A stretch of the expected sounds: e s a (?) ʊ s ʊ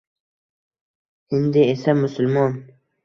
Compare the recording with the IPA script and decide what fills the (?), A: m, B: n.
A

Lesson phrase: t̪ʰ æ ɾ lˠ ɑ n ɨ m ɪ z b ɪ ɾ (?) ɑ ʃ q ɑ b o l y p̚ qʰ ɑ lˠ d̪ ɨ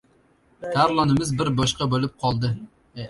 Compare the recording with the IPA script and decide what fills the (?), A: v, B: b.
B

